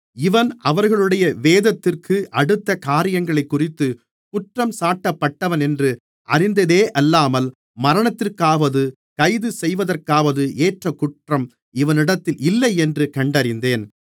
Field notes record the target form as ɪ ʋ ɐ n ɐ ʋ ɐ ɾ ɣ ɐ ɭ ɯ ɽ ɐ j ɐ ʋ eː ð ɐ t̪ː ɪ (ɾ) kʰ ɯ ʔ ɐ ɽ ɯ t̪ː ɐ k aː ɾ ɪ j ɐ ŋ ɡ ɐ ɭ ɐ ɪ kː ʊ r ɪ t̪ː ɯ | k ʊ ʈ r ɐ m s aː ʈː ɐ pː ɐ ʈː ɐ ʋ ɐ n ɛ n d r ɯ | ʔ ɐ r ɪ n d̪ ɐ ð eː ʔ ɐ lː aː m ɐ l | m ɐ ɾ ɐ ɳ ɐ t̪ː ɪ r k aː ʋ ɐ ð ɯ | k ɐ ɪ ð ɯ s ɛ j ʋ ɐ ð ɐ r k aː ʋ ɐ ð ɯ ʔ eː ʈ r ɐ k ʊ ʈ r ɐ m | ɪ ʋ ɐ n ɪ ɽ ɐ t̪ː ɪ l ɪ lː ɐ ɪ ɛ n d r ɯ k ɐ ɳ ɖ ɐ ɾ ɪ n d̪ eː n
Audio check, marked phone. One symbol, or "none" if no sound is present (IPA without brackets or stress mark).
r